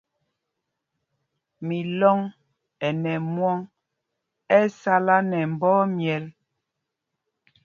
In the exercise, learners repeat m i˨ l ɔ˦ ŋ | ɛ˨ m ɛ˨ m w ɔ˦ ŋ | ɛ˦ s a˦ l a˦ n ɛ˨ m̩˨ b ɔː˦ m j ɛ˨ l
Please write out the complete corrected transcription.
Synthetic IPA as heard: m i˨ l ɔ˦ ŋ | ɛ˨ n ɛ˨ m w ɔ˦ ŋ | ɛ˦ s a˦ l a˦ n ɛ˨ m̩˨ b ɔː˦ m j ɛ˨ l